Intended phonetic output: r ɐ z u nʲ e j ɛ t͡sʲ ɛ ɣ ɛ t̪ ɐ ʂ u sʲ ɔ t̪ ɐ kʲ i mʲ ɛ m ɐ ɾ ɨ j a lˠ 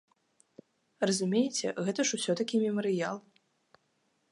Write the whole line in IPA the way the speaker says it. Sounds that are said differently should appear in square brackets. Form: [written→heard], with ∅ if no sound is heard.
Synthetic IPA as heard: r ɐ z u [nʲ→mʲ] e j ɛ t͡sʲ ɛ ɣ ɛ t̪ ɐ ʂ u sʲ ɔ t̪ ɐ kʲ i mʲ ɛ m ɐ ɾ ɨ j a lˠ

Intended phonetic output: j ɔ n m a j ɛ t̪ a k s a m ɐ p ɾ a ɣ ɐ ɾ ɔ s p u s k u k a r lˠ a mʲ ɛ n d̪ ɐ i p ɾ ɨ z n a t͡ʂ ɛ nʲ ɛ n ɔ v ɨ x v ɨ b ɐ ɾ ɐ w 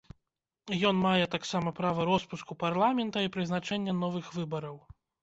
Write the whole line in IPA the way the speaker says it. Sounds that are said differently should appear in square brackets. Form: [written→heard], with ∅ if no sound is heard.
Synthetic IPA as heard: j ɔ n m a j ɛ t̪ a k s a m ɐ p ɾ a [ɣ→v] ɐ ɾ ɔ s p u s k u [k→p] a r lˠ a mʲ ɛ n [d̪→t̪] ɐ i p ɾ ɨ z n a t͡ʂ ɛ [nʲ→nʲː] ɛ n ɔ v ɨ x v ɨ b ɐ ɾ ɐ w

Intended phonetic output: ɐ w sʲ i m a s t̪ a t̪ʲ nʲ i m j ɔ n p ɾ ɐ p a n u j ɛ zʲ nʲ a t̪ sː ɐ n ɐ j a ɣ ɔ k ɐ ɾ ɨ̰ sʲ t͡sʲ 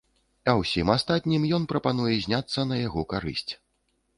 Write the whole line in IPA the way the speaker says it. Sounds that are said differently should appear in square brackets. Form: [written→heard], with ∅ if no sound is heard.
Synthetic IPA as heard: ɐ w sʲ i m a s t̪ a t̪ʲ nʲ i m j ɔ n p ɾ ɐ p a n u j ɛ zʲ nʲ a t̪ sː ɐ n ɐ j a ɣ ɔ k [ɐ→a] ɾ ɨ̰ sʲ t͡sʲ

